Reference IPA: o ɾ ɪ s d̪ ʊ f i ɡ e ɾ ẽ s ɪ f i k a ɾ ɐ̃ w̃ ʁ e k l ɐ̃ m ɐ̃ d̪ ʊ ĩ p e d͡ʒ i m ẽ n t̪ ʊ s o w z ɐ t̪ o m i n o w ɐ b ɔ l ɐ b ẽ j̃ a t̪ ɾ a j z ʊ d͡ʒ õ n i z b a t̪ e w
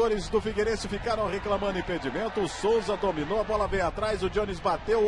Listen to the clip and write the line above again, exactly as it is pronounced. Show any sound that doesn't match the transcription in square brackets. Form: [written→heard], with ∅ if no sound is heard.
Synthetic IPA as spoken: o ɾ ɪ [s→z] d̪ ʊ f i ɡ e ɾ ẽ s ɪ f i k a ɾ ɐ̃ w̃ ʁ e k l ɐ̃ m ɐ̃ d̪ ʊ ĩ p e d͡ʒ i m ẽ n t̪ ʊ s o w z ɐ [t̪→d̪] o m i n o w ɐ b ɔ l ɐ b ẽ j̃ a t̪ ɾ a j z ʊ d͡ʒ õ n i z b a t̪ e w